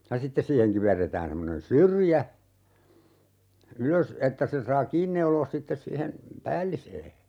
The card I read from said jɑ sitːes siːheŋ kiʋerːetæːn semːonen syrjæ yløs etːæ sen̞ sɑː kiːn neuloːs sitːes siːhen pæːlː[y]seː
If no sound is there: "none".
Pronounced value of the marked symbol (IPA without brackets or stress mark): i